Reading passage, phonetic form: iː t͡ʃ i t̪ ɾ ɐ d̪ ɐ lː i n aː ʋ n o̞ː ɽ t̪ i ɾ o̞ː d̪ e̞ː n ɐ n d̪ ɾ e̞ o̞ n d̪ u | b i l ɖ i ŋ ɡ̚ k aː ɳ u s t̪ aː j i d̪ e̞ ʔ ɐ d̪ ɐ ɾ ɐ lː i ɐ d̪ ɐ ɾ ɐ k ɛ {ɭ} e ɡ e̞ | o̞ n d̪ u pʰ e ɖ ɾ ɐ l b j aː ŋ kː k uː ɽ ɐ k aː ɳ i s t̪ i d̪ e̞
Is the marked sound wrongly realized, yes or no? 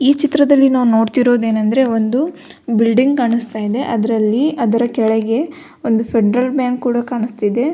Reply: no